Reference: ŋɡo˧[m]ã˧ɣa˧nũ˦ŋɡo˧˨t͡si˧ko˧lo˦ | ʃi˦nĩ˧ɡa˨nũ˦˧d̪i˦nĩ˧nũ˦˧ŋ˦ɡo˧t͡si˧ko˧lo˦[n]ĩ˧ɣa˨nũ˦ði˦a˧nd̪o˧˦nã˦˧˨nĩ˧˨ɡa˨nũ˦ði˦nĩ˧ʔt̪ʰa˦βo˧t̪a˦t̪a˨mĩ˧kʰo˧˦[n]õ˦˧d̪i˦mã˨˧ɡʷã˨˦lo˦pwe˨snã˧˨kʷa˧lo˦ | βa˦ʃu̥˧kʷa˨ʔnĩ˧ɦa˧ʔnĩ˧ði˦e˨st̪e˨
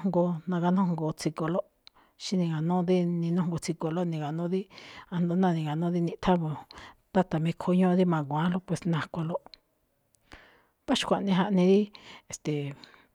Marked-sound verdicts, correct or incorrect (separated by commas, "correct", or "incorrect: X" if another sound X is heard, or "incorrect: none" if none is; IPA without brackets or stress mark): incorrect: n, correct, incorrect: ɲ